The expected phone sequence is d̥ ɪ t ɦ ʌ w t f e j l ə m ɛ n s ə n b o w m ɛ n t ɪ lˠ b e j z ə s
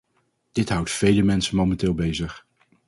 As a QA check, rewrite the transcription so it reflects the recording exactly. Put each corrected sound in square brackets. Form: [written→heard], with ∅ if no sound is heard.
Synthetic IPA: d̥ ɪ t ɦ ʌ w t f e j l ə m ɛ n s ə n [b→m] o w m ɛ n t [ɪ→ɪː] lˠ b e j z ə [s→χ]